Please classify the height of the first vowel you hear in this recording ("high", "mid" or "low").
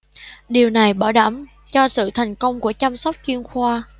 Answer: high